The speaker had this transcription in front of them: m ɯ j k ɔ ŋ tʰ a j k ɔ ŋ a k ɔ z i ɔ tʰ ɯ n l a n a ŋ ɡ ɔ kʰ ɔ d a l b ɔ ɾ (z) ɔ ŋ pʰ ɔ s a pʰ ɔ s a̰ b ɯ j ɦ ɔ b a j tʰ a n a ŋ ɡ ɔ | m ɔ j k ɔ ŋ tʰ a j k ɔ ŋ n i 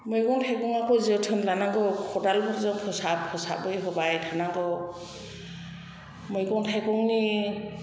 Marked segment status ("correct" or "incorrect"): correct